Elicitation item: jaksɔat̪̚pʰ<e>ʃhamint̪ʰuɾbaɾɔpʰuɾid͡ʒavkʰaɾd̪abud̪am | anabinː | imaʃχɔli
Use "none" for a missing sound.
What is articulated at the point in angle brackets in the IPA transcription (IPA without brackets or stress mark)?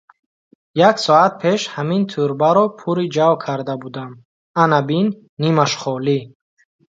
e